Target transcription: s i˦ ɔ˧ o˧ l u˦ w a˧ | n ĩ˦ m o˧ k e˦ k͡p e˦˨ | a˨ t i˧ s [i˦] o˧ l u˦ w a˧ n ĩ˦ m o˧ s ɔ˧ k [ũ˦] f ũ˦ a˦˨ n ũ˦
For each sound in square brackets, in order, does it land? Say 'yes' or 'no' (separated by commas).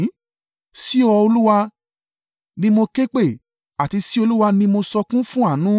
yes, yes